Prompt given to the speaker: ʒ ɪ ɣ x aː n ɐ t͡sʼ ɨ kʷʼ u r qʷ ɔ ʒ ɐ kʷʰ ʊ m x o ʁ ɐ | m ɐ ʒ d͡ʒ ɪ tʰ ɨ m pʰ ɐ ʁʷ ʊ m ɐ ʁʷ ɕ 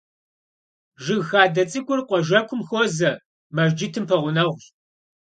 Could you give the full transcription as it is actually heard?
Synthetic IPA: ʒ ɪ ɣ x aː d ɐ t͡sʼ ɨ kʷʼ ʊ r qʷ ɔ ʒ ɐ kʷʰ ʊ m x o z ɐ | m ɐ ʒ d͡ʒ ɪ tʰ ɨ m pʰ ɐ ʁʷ ʊ n ɐ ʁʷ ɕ